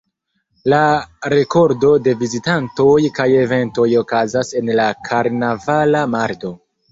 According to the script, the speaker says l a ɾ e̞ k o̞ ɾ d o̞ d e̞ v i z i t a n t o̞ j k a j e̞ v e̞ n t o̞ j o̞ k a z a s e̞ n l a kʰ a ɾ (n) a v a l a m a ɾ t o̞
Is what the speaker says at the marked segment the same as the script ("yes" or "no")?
yes